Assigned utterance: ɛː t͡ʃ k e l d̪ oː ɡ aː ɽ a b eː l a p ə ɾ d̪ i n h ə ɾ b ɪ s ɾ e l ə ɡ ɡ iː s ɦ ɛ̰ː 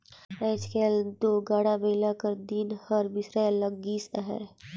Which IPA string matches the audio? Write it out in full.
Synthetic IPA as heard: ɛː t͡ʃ k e l d̪ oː ɡ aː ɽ a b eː l a k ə ɾ d̪ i n h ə ɾ b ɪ s ɾ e l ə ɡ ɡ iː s ɦ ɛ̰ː